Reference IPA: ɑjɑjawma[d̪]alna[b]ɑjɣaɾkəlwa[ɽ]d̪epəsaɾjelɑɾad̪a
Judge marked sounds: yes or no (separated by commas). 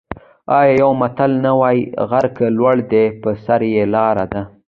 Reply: no, no, yes